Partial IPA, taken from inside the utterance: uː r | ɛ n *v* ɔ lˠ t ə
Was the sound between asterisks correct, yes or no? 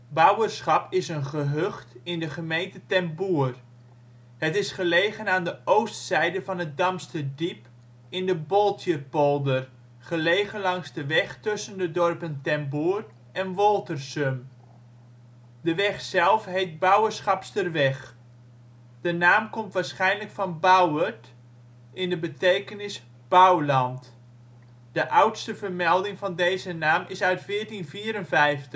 no